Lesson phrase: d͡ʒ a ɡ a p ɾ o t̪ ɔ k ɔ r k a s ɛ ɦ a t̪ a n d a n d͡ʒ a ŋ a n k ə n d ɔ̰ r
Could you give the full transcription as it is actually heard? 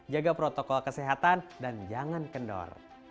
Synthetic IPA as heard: d͡ʒ a ɡ a p ɾ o t̪ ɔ k ɔ l k ə s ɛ ɦ a t̪ a n d a n d͡ʒ a ŋ a n k ə n d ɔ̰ r